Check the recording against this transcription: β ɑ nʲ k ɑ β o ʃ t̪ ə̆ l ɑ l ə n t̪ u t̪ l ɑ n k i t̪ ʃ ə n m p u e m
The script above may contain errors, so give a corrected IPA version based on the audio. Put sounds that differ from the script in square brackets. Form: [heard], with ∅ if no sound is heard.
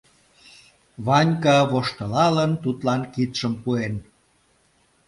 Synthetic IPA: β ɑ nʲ k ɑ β o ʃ t̪ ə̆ l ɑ l ə n t̪ u t̪ l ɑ n k i t̪ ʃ ə [∅] m p u e [n]